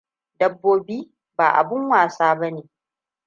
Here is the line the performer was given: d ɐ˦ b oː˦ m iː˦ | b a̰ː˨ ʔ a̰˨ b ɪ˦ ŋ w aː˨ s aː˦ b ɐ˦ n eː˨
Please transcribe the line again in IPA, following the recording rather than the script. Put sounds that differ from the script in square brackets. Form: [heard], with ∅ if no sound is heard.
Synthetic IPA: d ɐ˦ [bː] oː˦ [b] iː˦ | b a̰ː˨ ʔ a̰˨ b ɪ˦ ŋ w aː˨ s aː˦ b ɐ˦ n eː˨

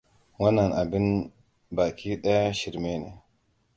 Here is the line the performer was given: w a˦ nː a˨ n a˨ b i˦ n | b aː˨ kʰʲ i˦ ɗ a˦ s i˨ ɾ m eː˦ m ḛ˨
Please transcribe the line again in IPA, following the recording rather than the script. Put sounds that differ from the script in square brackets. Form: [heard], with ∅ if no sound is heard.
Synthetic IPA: w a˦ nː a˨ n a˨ b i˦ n | b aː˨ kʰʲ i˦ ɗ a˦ [ʃ] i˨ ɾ m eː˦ [n] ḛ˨

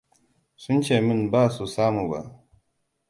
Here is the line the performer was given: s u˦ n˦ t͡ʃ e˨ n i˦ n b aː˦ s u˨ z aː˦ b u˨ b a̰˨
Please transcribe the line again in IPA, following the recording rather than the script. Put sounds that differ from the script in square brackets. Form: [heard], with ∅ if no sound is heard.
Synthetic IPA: s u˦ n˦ t͡ʃ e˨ [m] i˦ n b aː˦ s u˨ [s] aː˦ [m] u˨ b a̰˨

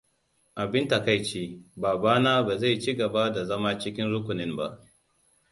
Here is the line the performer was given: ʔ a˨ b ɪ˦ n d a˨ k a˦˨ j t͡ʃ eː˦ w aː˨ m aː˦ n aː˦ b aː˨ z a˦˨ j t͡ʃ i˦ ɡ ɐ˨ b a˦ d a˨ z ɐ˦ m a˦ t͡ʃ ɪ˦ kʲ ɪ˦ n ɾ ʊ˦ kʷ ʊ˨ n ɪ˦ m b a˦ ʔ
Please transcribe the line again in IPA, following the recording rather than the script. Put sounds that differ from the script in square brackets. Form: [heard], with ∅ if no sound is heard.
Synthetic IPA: ʔ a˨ b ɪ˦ n [t] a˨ k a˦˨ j t͡ʃ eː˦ [b] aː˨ [b] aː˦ n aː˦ b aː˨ z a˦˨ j t͡ʃ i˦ ɡ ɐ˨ b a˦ d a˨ z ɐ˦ m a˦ t͡ʃ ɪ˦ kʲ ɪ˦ n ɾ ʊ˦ kʷ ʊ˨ n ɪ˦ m b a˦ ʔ

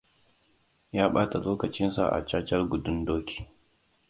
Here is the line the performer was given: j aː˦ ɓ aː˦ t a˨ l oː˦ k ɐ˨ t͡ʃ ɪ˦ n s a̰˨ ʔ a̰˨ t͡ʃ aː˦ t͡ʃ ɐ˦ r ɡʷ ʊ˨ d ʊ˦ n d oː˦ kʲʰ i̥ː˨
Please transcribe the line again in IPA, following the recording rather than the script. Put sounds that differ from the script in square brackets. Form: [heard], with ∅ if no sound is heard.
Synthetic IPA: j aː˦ ɓ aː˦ t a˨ l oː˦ k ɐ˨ t͡ʃ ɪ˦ n s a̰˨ ʔ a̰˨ t͡ʃ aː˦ t͡ʃ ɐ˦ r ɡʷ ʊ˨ d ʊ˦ n d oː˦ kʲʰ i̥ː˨

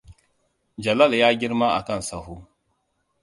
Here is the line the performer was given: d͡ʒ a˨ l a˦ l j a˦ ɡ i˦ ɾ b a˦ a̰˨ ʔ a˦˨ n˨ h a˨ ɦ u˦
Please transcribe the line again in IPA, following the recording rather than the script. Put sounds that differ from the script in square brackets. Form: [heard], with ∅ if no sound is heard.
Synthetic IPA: d͡ʒ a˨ l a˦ l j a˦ ɡ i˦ ɾ [m] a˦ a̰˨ [k] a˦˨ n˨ [s] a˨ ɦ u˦

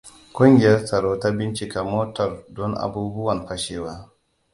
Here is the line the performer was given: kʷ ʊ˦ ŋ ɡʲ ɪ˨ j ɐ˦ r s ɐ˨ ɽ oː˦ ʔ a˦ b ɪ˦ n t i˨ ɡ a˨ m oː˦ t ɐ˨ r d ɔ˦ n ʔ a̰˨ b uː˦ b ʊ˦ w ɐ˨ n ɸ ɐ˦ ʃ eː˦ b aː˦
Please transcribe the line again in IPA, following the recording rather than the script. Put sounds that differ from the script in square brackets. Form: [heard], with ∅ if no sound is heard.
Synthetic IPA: kʷ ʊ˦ ŋ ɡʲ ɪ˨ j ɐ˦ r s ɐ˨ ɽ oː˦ [t] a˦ b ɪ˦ n [t͡ʃ] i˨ [k] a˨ m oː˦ t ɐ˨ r d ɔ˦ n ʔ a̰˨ b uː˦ b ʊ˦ w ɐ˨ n ɸ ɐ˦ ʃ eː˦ [w] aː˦

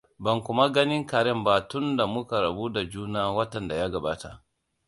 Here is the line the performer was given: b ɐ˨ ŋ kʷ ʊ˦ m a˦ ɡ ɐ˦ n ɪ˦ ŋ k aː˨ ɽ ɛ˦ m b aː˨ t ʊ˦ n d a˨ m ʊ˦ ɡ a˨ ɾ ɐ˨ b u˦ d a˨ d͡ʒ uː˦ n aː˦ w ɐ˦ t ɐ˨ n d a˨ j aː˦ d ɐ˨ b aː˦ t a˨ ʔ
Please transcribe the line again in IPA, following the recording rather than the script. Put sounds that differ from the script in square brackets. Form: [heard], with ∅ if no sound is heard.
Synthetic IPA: b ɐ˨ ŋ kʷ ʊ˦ m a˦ ɡ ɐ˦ n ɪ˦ ŋ k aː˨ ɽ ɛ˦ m b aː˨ t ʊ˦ n d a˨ m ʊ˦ [k] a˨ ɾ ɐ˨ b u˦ d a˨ d͡ʒ uː˦ n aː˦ w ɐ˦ t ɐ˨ n d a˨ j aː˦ [ɡ] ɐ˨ b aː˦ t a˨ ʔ

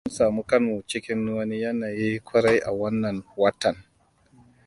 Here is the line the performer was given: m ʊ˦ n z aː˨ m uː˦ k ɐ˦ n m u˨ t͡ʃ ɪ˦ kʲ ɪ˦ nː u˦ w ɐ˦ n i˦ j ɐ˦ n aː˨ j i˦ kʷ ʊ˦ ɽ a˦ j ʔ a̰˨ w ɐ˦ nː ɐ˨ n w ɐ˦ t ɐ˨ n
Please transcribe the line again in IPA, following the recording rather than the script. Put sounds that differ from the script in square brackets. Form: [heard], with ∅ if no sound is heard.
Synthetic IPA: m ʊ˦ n [s] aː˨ m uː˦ k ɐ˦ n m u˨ t͡ʃ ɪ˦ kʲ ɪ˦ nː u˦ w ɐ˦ n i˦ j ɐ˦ n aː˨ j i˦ kʷ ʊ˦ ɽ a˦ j ʔ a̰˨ w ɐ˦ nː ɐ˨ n w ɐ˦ t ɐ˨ n

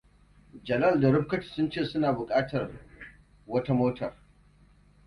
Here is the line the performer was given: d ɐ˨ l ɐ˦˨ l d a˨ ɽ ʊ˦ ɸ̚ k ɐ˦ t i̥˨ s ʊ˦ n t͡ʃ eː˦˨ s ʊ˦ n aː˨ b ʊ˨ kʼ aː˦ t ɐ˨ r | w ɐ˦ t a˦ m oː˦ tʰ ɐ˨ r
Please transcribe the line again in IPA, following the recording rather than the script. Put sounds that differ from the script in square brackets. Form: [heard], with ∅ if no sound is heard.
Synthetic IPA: [d͡ʒ] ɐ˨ l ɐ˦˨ l d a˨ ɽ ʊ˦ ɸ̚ k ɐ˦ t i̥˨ s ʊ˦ n t͡ʃ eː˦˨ s ʊ˦ n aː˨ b ʊ˨ kʼ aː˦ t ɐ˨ r | w ɐ˦ t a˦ m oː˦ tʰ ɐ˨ r

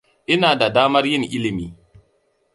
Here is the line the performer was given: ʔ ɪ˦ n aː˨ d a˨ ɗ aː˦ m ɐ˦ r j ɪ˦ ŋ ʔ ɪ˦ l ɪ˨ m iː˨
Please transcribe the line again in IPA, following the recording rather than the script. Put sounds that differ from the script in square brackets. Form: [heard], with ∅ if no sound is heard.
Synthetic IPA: ʔ ɪ˦ n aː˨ d a˨ [d] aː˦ m ɐ˦ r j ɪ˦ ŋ ʔ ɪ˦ l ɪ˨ m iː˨

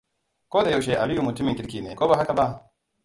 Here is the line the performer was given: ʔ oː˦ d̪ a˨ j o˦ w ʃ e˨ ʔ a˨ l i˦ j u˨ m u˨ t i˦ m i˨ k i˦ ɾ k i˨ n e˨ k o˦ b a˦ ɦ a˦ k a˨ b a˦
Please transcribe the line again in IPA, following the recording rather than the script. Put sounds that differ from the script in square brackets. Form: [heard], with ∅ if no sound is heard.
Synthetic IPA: [k] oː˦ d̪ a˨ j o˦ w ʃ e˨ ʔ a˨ l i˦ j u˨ m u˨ t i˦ m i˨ k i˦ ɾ k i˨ n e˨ k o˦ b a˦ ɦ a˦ k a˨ b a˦

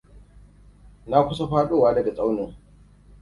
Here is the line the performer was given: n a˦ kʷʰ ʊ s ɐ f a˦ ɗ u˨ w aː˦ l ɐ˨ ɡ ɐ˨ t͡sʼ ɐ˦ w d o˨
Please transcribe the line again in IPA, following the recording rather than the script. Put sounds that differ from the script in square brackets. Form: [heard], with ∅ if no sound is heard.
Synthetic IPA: n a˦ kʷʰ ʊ s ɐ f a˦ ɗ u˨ w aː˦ l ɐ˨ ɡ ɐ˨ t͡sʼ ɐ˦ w [n] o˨

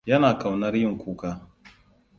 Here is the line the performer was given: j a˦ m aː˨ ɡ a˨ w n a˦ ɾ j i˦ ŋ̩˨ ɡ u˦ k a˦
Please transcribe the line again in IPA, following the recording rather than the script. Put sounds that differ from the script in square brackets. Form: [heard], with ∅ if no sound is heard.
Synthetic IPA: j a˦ [n] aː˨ [k] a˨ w n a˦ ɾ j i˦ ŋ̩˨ [k] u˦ k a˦

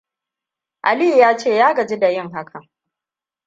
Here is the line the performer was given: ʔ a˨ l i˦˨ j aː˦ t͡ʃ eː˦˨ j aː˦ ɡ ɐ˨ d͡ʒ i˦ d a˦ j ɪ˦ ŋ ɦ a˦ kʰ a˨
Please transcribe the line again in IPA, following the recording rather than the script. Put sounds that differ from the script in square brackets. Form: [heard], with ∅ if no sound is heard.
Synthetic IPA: ʔ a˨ l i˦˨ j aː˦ t͡ʃ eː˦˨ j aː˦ ɡ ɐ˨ d͡ʒ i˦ d [a˨] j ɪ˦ ŋ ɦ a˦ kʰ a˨

